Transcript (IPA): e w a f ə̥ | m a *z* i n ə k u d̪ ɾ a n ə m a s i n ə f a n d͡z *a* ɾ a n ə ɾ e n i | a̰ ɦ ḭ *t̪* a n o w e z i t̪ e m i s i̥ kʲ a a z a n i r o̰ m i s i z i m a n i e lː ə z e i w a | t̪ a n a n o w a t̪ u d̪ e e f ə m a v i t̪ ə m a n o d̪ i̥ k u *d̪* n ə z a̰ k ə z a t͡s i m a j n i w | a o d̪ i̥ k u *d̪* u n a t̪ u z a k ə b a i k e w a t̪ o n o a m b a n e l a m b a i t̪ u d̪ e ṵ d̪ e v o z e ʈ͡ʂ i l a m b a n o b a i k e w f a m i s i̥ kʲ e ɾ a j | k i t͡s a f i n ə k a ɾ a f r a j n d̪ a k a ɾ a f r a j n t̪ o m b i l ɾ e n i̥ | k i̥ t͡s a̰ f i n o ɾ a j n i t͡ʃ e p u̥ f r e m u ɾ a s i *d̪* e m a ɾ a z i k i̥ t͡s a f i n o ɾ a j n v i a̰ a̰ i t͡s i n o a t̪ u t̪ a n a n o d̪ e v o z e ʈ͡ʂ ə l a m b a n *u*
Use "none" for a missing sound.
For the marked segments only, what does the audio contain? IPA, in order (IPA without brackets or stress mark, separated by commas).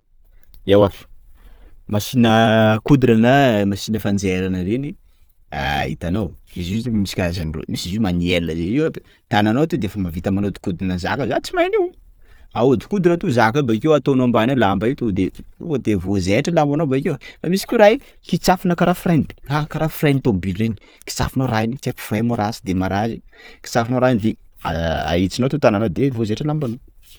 s, e, t̪, d̪, d̪, d̪, o